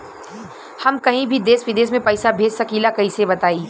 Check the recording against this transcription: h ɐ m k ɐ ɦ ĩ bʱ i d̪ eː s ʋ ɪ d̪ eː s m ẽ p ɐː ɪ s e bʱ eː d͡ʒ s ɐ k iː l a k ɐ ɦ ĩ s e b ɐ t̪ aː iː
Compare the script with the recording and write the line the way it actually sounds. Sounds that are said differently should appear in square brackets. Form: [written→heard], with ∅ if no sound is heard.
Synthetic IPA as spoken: h ɐ m k ɐ ɦ ĩ bʱ i d̪ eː s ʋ ɪ d̪ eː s m ẽ p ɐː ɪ s [e→a] bʱ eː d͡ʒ s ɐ k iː l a k ɐ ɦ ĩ s e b ɐ t̪ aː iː